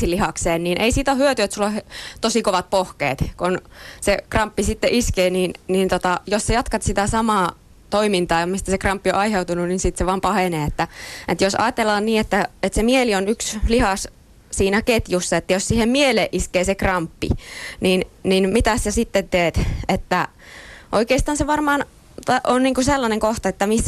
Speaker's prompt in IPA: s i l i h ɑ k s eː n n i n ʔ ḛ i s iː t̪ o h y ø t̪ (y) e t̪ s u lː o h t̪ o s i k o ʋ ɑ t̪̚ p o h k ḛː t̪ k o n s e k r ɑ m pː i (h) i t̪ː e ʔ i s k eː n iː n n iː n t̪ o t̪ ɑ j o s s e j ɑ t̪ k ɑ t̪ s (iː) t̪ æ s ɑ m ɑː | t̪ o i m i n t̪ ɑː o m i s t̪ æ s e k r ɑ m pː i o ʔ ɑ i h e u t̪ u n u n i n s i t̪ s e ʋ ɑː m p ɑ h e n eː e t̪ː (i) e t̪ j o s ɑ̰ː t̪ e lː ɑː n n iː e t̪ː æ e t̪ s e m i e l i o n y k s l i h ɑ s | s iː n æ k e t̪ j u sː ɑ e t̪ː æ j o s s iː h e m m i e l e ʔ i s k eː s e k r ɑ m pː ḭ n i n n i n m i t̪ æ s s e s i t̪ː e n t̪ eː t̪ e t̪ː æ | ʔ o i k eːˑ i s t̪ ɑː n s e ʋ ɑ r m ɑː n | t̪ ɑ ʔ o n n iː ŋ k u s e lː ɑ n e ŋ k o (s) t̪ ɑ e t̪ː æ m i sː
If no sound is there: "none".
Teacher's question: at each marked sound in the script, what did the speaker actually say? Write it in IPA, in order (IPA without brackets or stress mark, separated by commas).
y, s, i, æ, h